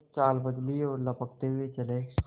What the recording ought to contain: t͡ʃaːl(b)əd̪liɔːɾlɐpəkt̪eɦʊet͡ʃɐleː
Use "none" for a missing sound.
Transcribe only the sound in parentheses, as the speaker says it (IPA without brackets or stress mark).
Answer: b